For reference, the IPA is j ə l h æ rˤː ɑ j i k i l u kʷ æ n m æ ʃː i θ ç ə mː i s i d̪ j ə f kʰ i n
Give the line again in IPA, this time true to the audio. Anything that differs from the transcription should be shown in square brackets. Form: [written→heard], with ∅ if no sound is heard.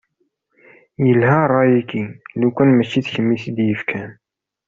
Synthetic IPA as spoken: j ə l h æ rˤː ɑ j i k i l u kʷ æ n m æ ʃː i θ ç ə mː i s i d̪ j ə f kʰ [i→æ] n